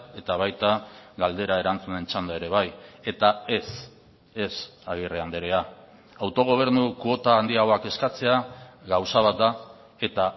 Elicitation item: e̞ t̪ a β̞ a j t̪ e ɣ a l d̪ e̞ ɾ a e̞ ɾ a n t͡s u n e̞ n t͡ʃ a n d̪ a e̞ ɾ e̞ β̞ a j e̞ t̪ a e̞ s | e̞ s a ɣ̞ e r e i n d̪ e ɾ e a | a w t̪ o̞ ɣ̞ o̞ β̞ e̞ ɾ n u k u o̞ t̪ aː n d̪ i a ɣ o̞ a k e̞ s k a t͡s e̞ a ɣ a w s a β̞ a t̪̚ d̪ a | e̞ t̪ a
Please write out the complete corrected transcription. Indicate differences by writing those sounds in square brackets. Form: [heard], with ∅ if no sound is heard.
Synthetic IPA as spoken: e̞ t̪ a β̞ a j t̪ [a] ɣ a l d̪ e̞ ɾ a e̞ ɾ a n t͡s u n e̞ n t͡ʃ a n d̪ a e̞ ɾ e̞ β̞ a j e̞ t̪ a e̞ s | e̞ s a ɣ̞ [i] r e [a] n d̪ e ɾ e a | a w t̪ o̞ ɣ̞ o̞ β̞ e̞ ɾ n u k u o̞ t̪ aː n d̪ i a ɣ o̞ a k e̞ s k a t͡s e̞ a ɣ a w s a β̞ a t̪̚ d̪ a | e̞ t̪ a